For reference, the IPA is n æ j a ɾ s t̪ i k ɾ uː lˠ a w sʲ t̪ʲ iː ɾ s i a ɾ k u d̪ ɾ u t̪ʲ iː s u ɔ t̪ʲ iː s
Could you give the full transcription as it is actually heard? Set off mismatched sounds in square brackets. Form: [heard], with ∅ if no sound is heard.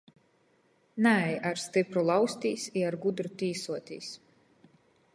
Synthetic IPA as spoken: n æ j a ɾ s t̪ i [p] ɾ [u] lˠ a w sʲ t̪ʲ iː [∅] s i a ɾ [ɡ] u d̪ ɾ u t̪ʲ iː s u ɔ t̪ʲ iː s